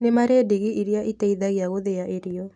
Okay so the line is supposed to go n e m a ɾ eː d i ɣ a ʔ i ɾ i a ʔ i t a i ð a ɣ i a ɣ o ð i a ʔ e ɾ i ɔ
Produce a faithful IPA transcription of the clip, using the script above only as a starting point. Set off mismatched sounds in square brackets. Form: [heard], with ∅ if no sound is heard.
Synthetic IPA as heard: n e m a ɾ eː d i ɣ [i] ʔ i ɾ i a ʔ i t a i ð a ɣ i a ɣ o ð [e] a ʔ e ɾ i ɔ